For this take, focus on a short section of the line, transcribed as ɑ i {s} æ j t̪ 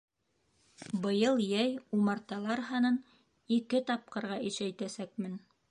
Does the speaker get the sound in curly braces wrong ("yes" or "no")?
yes